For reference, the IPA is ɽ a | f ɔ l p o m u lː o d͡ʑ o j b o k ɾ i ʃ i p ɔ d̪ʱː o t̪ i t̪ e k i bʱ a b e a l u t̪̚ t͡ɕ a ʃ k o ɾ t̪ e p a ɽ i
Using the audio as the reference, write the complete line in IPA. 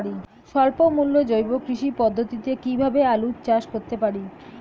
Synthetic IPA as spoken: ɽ i | ʃ ɔ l p o m u lː o d͡ʑ o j b o k ɾ i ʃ i p ɔ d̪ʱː o t̪ i t̪ e k i bʱ a b e a l u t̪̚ t͡ɕ a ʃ k o ɾ t̪ e p a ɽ i